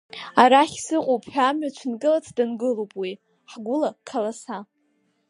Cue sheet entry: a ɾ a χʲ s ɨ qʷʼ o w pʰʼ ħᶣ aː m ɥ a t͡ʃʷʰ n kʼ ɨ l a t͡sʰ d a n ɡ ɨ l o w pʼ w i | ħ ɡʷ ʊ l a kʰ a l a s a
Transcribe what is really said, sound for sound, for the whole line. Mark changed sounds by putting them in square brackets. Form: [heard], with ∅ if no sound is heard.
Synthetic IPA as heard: a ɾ a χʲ s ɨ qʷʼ o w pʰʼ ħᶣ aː m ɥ a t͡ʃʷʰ n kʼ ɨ l a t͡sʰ d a n ɡ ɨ l o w pʼ w i | ħ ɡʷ ʊ l a kʰ a l a s a

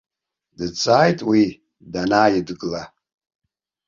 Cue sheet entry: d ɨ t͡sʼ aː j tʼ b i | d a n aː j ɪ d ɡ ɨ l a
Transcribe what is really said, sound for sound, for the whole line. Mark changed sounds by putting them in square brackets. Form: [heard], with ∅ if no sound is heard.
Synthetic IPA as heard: d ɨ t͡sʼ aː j tʼ [w] i | d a n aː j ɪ d ɡ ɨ l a

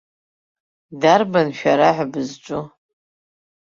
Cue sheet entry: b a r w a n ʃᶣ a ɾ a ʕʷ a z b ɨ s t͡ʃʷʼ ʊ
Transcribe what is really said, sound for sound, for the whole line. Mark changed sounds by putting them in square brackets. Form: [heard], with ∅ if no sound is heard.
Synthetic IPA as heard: [d] a r [b] a n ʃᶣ a ɾ a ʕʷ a [∅] b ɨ [z] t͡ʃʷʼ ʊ

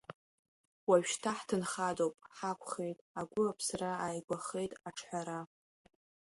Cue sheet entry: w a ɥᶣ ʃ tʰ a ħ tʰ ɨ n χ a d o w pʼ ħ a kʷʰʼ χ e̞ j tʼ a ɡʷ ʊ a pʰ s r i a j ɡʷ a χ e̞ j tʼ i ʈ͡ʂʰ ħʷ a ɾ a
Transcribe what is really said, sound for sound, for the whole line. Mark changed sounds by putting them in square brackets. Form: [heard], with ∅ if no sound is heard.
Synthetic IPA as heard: w a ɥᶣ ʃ tʰ a ħ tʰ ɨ n χ a d o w pʼ ħ a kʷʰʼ χ e̞ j tʼ a ɡʷ ʊ a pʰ s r [a] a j ɡʷ a χ e̞ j tʼ [a] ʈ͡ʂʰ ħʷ a ɾ a

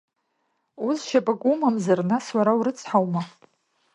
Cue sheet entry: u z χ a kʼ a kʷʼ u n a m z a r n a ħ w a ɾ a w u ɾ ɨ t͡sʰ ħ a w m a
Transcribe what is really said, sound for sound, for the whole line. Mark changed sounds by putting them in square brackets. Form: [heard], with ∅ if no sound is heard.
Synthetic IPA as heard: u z [ʃ] a [pʼ] a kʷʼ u [m] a m z a r n a [s] w a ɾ a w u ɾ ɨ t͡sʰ ħ a w m a

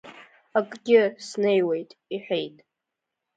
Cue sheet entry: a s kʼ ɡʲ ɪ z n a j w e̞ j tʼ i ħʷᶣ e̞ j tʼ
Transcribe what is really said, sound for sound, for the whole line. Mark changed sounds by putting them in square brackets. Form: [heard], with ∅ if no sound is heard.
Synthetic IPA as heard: a [∅] kʼ ɡʲ ɪ [s] n [e] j w e̞ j tʼ i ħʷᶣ e̞ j tʼ

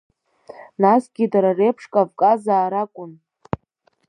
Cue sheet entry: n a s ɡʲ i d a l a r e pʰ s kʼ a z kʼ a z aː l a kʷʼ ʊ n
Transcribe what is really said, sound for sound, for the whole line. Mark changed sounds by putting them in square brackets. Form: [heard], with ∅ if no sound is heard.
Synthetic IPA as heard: n a s ɡʲ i d a [ɾ] a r e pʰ [ʂ] kʼ a [v] kʼ a z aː [ɾ] a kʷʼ ʊ n

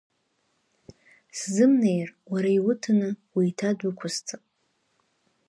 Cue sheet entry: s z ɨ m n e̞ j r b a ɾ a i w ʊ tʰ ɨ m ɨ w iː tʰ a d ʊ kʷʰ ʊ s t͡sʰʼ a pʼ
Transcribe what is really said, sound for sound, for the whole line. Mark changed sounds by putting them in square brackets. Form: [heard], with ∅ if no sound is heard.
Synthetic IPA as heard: s z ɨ m n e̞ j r [w] a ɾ a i w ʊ tʰ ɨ [n] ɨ w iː tʰ a d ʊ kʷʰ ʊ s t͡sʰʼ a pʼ

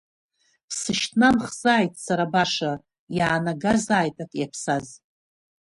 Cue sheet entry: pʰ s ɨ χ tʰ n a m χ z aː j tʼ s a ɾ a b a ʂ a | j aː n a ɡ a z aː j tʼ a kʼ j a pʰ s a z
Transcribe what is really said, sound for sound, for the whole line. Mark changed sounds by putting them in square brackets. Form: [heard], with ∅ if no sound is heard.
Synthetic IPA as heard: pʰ s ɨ [ʃ] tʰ n a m χ z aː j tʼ s a ɾ a b a ʂ a | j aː n a ɡ a z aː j tʼ a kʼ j a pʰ s a z

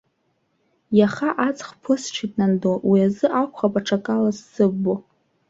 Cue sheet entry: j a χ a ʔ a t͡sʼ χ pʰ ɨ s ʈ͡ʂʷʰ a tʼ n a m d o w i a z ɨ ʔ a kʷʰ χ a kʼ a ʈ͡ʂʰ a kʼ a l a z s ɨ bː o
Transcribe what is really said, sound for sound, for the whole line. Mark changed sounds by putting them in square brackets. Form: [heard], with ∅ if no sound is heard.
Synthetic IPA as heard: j a χ a ʔ a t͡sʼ χ pʰ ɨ s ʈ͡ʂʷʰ [i] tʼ n a [n] d o w i a z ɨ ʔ a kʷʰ χ a [pʼ] a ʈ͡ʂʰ a kʼ a l a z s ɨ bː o

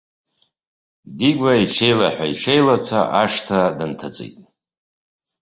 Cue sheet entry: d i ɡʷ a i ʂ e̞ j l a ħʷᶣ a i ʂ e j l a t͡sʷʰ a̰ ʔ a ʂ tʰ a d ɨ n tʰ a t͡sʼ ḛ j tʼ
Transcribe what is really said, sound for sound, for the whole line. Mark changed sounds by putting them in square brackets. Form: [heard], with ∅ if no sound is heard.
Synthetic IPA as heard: d i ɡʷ a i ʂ e̞ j l a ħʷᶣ a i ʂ e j l a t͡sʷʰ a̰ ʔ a ʂ tʰ a d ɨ n tʰ a t͡sʼ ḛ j tʼ

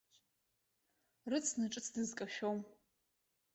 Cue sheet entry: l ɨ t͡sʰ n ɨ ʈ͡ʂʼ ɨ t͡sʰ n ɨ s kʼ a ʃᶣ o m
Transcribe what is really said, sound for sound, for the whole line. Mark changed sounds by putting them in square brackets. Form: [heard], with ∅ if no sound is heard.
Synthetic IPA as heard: [r] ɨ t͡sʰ n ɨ ʈ͡ʂʼ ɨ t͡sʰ [d] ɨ [z] kʼ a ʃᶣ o m

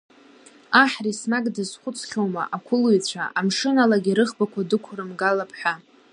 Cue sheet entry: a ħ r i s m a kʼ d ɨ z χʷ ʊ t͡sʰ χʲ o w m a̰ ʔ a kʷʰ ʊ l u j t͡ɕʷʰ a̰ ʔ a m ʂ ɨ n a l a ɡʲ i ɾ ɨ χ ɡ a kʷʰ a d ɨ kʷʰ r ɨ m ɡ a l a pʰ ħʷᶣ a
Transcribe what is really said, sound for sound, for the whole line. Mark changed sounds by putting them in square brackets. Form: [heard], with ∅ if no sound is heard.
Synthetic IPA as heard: a ħ r i s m a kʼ d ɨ z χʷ ʊ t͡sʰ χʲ o w m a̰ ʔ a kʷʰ ʊ l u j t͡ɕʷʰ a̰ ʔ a m ʂ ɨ n a l a ɡʲ i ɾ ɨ χ [b] a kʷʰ a d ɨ kʷʰ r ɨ m ɡ a l a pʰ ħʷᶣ a

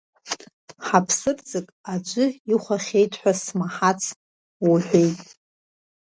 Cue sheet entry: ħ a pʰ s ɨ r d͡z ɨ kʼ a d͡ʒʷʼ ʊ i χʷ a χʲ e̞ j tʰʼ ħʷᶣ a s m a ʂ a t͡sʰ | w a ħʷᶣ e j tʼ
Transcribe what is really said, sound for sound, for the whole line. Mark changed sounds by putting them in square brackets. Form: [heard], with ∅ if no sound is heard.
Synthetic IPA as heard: ħ a pʰ s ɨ r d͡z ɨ kʼ a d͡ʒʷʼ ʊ i χʷ a χʲ e̞ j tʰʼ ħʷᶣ a s m a [ħ] a t͡sʰ | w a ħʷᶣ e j tʼ

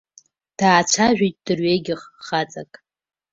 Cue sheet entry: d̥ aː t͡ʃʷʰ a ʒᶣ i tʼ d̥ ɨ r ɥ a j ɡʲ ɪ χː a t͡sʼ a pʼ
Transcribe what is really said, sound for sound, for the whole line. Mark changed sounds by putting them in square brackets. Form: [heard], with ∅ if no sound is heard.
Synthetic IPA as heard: d̥ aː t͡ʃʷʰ a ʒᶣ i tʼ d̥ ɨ r ɥ [e] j ɡʲ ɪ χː a t͡sʼ a [kʼ]

